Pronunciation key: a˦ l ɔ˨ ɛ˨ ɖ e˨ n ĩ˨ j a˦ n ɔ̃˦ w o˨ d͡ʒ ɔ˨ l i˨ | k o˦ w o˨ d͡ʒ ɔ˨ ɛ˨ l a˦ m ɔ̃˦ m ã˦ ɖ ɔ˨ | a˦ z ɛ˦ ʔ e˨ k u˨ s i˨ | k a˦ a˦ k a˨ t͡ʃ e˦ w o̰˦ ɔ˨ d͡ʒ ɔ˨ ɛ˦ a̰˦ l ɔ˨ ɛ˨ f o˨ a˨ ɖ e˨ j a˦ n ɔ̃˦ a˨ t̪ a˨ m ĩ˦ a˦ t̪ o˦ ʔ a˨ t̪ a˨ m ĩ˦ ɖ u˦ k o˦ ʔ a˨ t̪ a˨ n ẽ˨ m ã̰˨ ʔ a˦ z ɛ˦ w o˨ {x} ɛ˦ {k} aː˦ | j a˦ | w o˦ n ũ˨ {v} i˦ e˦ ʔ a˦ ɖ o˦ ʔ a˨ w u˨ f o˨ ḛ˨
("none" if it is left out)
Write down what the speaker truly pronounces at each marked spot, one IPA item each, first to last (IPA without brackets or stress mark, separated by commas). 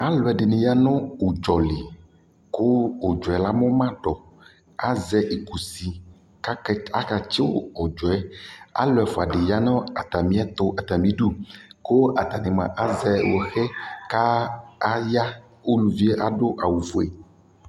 x, k, v